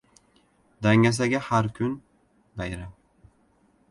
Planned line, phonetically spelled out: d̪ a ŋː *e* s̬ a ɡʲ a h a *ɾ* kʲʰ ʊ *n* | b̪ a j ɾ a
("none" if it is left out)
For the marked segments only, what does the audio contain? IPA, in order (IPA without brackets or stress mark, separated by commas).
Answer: a, ɾ, n